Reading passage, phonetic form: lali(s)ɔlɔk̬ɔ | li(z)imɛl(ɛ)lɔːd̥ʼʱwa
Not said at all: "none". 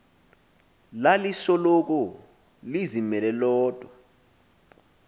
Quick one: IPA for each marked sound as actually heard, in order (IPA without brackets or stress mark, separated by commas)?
s, z, ɛ